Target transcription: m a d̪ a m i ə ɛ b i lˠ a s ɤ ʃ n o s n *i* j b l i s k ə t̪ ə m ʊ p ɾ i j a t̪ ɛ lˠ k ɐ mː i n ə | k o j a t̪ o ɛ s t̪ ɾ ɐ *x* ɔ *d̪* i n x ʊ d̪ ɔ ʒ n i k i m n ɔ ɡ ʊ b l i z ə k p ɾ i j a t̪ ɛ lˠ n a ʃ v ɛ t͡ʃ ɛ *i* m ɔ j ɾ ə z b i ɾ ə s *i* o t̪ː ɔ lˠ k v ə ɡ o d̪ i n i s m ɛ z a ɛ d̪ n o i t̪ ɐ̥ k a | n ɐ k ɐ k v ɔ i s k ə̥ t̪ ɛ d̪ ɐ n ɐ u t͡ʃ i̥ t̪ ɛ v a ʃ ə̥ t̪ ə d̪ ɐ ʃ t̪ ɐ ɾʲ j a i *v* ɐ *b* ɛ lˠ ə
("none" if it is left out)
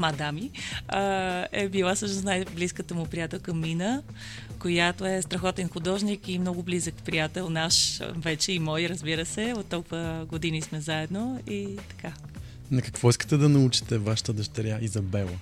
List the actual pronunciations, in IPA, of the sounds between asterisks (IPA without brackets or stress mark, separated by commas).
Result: a, x, t̪, i, ɛ, z, b